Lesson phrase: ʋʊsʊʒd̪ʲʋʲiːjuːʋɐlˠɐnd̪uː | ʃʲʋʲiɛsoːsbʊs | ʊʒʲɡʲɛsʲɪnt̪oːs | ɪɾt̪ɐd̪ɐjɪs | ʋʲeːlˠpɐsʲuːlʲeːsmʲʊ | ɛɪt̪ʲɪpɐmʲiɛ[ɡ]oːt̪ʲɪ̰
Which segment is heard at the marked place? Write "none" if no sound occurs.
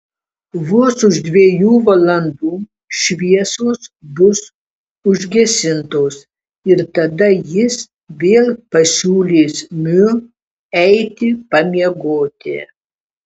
ɡ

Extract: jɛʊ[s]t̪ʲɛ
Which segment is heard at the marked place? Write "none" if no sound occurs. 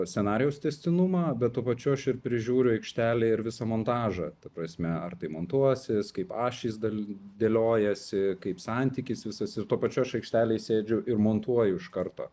s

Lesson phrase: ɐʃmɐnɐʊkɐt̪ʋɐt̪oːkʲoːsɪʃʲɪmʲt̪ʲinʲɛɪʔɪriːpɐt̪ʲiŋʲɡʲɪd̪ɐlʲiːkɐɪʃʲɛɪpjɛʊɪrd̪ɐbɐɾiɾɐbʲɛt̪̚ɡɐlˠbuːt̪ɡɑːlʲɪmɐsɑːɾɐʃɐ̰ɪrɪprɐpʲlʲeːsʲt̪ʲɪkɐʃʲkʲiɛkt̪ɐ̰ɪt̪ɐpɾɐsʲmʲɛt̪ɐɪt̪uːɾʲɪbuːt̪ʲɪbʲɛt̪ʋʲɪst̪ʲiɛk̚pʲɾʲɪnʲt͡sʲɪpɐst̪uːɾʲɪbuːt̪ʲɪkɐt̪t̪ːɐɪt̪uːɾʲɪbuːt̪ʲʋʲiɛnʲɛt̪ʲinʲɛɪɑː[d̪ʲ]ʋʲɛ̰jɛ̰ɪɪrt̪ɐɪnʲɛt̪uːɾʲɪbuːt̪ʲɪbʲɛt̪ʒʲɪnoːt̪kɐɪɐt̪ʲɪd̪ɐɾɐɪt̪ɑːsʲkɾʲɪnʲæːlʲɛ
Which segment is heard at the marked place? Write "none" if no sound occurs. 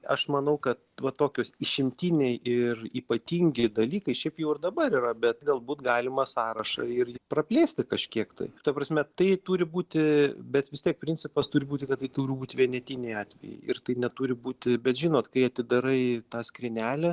t̪ʲ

